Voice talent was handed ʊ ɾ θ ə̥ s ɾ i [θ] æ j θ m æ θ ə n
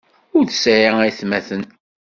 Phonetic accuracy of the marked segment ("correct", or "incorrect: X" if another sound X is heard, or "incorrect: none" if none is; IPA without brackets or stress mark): incorrect: none